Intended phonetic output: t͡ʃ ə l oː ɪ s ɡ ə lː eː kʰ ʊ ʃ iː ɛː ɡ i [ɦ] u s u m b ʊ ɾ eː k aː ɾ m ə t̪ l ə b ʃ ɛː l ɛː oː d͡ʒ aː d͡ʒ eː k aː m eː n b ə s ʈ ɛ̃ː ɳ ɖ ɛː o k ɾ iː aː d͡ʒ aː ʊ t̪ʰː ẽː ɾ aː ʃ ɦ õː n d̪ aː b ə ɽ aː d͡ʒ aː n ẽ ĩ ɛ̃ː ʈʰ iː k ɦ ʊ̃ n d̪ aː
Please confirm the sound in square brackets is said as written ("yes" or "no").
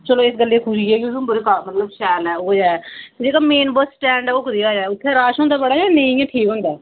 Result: no